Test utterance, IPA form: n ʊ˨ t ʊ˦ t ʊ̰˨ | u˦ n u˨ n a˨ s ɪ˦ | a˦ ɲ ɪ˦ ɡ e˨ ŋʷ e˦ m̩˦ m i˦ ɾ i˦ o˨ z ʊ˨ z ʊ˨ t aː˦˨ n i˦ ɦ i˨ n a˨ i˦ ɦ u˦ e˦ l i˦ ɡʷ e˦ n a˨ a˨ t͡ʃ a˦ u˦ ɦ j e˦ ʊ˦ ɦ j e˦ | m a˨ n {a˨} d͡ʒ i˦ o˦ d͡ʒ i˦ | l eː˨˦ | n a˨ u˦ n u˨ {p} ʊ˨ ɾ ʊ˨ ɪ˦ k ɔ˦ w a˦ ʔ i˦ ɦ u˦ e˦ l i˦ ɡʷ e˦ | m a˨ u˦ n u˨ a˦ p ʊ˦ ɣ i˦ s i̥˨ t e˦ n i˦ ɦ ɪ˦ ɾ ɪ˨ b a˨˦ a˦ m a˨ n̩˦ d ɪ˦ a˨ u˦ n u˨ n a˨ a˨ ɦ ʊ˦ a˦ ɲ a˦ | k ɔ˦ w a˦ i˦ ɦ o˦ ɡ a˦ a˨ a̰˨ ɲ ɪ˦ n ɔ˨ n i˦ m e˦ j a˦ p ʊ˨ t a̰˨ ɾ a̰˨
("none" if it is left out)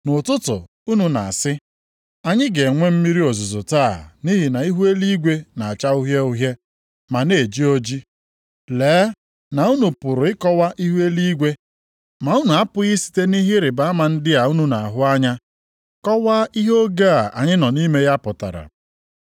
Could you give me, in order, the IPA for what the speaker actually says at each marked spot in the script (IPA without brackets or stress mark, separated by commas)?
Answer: e˨, p